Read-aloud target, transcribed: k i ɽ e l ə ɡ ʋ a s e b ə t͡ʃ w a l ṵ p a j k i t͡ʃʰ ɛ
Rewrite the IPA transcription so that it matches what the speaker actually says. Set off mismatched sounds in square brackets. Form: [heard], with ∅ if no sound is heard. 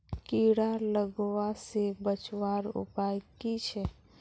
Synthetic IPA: k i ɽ [a] l ə ɡ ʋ a s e b ə t͡ʃ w a [ɾ] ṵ p a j k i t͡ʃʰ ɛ